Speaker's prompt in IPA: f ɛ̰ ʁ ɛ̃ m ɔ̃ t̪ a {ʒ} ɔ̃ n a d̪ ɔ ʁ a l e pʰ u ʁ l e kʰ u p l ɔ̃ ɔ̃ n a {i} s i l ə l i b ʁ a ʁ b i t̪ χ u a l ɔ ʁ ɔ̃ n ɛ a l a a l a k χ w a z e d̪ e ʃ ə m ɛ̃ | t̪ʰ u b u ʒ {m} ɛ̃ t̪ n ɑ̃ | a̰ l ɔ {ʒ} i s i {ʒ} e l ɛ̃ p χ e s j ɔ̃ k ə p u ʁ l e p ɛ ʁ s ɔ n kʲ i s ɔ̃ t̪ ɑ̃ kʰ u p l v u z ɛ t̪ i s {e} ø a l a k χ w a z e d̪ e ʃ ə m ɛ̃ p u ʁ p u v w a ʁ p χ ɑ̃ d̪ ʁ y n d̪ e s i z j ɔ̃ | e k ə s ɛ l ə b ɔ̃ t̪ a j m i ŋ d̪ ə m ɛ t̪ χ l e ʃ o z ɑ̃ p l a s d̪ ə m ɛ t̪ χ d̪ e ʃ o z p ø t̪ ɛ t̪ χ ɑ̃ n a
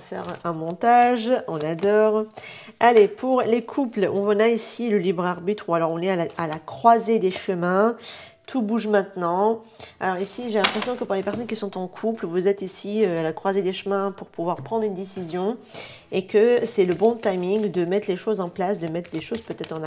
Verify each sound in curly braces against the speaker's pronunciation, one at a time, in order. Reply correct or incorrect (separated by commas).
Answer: correct, correct, correct, incorrect, correct, incorrect